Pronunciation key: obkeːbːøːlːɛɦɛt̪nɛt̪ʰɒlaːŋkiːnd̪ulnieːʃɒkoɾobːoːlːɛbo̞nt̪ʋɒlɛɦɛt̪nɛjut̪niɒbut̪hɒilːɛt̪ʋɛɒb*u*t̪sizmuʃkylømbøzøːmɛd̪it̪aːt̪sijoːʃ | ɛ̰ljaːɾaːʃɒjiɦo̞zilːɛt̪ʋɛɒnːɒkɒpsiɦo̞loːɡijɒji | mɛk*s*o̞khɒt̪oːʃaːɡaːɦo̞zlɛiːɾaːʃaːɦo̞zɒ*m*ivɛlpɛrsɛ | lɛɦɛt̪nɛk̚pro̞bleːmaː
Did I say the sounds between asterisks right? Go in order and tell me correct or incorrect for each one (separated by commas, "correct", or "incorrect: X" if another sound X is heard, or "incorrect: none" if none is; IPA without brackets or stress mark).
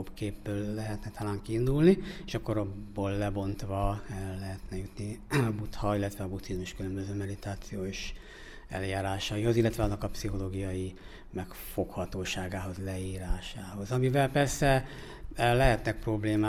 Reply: correct, incorrect: f, correct